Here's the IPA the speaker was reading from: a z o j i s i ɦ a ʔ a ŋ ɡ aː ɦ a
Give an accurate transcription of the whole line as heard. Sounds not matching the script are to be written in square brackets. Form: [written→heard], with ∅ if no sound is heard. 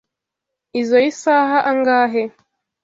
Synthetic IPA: [a→i] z o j i s [i→a] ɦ a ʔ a ŋ ɡ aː ɦ [a→e]